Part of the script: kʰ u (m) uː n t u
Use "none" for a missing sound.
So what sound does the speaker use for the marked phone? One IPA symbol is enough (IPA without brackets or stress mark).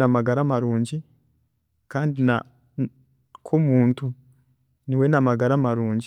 m